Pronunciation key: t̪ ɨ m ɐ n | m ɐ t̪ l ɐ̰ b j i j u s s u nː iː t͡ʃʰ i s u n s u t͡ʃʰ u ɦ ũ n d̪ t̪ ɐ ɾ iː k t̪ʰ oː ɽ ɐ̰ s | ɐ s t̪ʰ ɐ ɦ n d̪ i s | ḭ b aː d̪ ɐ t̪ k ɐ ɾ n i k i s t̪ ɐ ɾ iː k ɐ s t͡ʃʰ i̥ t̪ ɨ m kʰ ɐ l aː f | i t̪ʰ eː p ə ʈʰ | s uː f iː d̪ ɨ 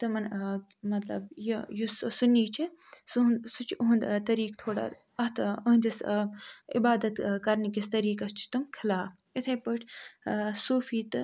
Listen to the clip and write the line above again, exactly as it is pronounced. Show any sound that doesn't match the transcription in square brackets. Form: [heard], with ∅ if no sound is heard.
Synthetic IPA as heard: t̪ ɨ m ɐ n | m ɐ t̪ l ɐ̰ b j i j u s s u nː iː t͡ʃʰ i s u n s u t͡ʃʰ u ɦ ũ n d̪ t̪ ɐ ɾ iː k t̪ʰ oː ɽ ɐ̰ [∅] | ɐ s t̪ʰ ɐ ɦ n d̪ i s | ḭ b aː d̪ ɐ t̪ k ɐ ɾ n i k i s t̪ ɐ ɾ iː k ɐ s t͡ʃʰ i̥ t̪ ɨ m kʰ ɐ l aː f | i t̪ʰ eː p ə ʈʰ | s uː f iː [t̪] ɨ